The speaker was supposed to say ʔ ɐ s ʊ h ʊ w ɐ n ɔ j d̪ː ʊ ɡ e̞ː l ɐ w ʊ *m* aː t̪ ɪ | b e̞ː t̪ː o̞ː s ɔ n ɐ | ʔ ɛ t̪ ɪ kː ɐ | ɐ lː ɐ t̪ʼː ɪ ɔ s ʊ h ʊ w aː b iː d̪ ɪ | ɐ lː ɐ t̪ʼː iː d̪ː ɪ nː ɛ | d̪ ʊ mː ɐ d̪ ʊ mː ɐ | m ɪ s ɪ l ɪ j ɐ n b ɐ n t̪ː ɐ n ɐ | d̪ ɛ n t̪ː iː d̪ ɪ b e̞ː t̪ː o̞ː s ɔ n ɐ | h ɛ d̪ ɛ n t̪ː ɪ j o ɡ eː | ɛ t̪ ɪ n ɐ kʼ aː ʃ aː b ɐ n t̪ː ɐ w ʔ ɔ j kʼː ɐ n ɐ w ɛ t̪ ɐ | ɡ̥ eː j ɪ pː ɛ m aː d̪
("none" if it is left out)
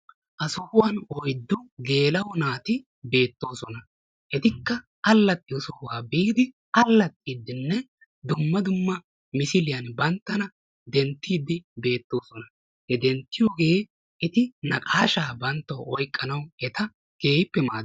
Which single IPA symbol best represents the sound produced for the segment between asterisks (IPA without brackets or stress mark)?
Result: n